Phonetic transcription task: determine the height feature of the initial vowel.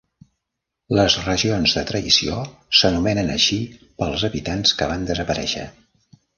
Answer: mid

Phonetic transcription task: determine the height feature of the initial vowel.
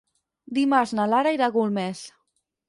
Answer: high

